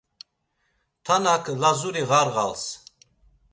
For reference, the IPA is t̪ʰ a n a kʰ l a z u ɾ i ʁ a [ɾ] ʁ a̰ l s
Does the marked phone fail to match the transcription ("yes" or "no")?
no